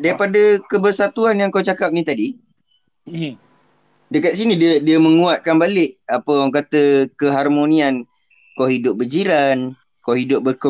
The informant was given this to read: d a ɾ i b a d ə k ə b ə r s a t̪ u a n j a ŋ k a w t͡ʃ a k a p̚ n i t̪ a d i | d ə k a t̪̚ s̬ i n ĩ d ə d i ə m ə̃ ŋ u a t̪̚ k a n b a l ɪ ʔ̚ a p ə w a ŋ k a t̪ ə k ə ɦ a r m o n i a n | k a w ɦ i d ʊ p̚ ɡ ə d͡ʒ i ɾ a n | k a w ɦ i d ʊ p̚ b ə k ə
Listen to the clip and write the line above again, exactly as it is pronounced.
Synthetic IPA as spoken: d a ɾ i p a d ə k ə b ə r s a t̪ u a n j a ŋ k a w t͡ʃ a k a p̚ n i t̪ a d i | d ə k a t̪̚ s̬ i n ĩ d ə d i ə m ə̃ ŋ u a t̪̚ k a n b a l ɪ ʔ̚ a p ə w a ŋ k a t̪ ə k ə ɦ a r m o n i a n | k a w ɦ i d ʊ p̚ b ə d͡ʒ i ɾ a n | k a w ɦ i d ʊ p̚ b ə k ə